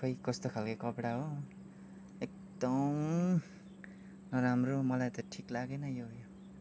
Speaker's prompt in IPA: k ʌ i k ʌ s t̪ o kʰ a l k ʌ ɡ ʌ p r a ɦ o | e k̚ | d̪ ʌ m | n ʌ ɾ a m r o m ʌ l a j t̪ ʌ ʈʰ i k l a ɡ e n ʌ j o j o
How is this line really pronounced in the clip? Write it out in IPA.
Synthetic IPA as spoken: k ʌ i k ʌ s t̪ o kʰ a l k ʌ k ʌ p ɽ a ɦ o | e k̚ | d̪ ʌ m | n ʌ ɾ a m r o m ʌ l a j t̪ ʌ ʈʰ i k l a ɡ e n ʌ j o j o